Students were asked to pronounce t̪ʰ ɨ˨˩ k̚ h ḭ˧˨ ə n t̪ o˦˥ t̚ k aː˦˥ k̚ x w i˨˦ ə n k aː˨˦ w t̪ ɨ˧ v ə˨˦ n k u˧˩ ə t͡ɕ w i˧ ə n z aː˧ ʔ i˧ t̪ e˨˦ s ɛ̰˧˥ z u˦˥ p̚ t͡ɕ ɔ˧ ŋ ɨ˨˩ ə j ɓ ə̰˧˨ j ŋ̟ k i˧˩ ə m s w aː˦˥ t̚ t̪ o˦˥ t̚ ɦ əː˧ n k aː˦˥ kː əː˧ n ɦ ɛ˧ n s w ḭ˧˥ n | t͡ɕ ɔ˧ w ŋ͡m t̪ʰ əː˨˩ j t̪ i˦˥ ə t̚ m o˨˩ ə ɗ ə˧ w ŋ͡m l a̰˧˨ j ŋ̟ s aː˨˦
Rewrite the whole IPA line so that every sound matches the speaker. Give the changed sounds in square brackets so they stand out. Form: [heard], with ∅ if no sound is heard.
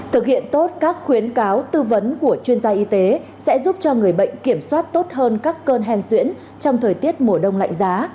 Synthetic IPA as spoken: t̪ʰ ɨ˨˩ k̚ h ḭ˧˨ ə n t̪ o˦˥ t̚ k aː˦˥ k̚ x w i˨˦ ə n k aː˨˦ w t̪ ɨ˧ v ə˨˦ n k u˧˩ ə t͡ɕ w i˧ ə n z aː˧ ʔ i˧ t̪ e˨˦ s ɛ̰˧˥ z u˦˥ p̚ t͡ɕ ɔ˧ ŋ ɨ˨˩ ə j ɓ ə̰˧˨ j ŋ̟ k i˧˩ ə m s w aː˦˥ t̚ t̪ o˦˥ t̚ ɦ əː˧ n k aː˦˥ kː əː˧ n ɦ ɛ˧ n s w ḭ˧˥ n | t͡ɕ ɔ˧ w ŋ͡m t̪ʰ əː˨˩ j t̪ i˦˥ ə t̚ m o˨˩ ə ɗ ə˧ w ŋ͡m l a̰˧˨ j ŋ̟ [z] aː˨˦